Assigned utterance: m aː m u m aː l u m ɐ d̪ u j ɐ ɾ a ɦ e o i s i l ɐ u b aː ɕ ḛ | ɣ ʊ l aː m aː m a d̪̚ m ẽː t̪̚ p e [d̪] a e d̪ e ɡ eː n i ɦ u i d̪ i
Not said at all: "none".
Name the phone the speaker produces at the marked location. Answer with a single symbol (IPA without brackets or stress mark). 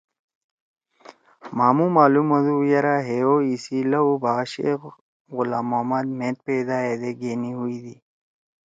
d̪